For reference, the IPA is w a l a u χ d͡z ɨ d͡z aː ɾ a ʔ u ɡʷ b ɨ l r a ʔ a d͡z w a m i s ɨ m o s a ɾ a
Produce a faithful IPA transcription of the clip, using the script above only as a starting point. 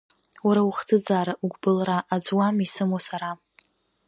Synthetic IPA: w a ɾ a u χ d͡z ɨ d͡z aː ɾ a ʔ u ɡʷ b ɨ l r a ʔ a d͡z w a m i s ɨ m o s a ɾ a